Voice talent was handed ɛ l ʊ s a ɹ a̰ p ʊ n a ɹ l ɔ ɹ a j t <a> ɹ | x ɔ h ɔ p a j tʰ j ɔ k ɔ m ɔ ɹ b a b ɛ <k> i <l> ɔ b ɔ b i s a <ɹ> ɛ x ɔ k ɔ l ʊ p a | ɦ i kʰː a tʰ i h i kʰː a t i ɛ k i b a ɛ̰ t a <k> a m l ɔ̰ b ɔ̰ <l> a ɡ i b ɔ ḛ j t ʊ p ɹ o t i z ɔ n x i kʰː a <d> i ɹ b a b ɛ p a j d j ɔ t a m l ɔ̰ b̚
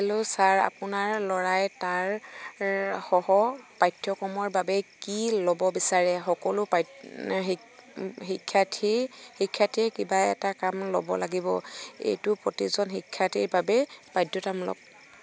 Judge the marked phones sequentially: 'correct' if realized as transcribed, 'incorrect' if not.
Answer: correct, correct, correct, correct, correct, correct, incorrect: t

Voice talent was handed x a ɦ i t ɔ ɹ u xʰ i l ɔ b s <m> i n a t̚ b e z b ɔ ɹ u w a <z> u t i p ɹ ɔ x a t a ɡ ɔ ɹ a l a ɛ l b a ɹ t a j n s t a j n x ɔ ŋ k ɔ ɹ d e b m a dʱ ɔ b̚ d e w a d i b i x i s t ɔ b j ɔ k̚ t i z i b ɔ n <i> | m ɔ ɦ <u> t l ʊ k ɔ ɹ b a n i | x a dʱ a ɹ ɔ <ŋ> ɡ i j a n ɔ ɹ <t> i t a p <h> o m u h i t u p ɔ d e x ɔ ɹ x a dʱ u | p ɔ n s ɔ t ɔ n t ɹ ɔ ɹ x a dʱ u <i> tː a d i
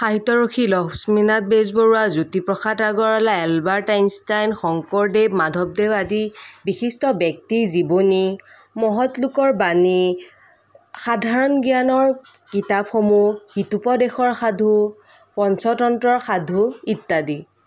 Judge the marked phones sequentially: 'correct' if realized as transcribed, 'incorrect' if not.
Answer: correct, correct, correct, incorrect: ɔ, incorrect: n, incorrect: k, incorrect: x, correct

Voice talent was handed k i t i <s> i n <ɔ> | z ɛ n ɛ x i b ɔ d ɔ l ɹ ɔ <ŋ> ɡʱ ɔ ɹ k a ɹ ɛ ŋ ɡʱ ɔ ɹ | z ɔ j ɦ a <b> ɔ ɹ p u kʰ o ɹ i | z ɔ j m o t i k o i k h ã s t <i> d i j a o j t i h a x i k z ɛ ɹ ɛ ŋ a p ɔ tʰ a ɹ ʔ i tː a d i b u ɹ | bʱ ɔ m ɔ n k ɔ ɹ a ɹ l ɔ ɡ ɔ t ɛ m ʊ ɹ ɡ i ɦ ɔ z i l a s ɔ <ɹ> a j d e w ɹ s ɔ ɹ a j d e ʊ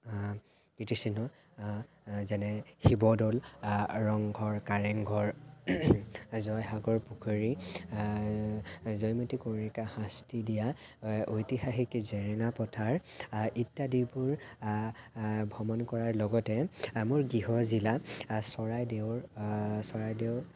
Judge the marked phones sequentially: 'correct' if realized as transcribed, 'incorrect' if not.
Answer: correct, correct, correct, incorrect: ɡ, correct, correct

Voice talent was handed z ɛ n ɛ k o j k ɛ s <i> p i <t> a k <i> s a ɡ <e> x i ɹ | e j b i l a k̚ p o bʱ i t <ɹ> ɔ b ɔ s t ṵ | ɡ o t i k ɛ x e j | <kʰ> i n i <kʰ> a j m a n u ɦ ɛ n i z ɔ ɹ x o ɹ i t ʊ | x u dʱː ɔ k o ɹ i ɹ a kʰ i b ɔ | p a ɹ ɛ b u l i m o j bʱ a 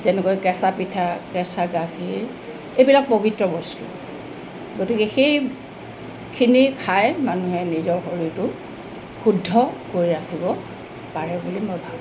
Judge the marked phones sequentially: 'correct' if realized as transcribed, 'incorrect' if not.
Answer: incorrect: a, incorrect: tʰ, incorrect: ɛ, incorrect: a, correct, correct, correct

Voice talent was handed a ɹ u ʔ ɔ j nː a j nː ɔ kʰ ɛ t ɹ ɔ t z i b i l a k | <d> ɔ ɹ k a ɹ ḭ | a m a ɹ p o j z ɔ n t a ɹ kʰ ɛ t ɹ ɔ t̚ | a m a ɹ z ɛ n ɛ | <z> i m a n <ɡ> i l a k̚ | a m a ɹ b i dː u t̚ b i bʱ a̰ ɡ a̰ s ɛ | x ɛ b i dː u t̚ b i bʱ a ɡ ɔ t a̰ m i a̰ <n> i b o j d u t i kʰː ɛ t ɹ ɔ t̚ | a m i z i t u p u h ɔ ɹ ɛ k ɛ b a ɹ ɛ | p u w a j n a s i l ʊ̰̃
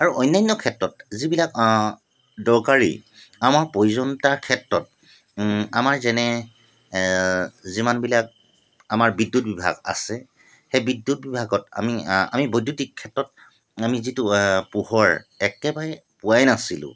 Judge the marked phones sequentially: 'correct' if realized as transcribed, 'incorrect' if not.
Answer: correct, correct, incorrect: b, incorrect: m

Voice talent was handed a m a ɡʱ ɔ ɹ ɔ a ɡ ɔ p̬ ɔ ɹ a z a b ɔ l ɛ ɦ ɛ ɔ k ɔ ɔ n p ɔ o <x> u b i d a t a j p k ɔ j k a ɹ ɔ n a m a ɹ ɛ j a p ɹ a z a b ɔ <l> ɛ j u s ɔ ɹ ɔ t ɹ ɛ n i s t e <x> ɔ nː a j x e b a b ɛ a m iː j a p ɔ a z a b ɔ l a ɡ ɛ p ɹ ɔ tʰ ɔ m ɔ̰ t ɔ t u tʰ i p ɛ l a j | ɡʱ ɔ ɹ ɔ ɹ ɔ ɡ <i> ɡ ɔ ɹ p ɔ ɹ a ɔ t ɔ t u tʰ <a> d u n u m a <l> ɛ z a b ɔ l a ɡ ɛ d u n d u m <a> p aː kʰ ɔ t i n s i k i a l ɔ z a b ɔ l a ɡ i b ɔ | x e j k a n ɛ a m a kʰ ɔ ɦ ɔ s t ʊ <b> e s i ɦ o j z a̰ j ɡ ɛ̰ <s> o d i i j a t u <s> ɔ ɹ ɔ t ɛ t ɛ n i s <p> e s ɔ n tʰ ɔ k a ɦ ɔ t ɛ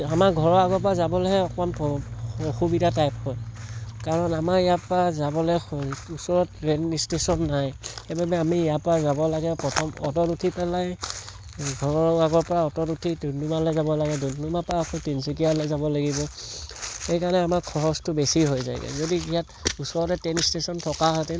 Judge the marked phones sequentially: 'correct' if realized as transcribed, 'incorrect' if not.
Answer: correct, correct, incorrect: s, incorrect: a, incorrect: i, correct, correct, correct, incorrect: z, correct, incorrect: t

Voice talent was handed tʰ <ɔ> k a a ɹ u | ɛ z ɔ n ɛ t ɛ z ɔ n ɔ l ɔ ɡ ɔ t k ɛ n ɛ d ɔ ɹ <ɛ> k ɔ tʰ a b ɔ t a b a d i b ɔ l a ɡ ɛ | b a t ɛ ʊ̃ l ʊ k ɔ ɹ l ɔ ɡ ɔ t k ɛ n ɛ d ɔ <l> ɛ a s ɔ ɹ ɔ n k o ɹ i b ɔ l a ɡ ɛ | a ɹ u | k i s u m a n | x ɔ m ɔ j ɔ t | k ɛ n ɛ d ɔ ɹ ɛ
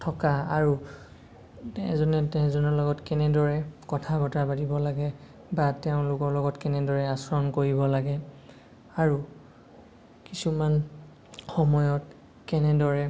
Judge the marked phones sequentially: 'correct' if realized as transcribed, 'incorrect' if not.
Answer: correct, correct, incorrect: ɹ

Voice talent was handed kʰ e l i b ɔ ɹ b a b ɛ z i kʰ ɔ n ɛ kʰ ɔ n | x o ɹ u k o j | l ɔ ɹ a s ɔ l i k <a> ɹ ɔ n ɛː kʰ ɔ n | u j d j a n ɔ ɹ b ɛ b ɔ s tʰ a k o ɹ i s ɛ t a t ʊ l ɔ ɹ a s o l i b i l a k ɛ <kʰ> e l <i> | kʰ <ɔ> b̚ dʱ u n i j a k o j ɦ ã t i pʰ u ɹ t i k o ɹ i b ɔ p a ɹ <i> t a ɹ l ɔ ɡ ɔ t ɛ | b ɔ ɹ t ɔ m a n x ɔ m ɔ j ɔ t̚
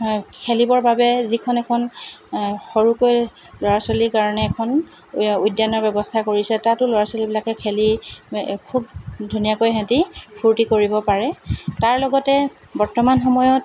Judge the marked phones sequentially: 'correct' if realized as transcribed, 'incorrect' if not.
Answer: correct, correct, correct, incorrect: u, incorrect: ɛ

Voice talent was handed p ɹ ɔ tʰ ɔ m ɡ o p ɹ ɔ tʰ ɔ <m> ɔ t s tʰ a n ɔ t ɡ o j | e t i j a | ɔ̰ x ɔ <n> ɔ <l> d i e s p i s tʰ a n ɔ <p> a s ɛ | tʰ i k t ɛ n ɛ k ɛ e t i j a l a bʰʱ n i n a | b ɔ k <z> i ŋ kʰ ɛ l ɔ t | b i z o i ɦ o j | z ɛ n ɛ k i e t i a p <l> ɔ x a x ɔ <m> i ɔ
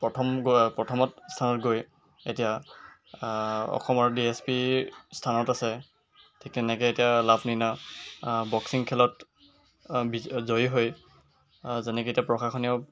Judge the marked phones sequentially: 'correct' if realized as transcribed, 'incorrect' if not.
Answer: correct, incorrect: m, incorrect: ɹ, incorrect: t, incorrect: s, incorrect: ɹ, incorrect: n

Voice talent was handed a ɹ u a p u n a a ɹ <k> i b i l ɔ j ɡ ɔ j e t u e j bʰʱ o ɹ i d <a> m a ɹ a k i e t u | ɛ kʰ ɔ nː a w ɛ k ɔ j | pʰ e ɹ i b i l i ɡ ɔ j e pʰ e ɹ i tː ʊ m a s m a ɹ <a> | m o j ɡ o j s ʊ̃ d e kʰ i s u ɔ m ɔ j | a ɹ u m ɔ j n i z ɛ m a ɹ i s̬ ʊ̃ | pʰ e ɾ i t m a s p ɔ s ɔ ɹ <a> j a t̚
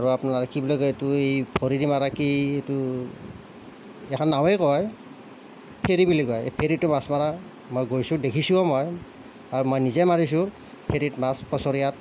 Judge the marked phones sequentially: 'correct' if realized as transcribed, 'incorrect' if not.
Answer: correct, incorrect: i, correct, incorrect: i

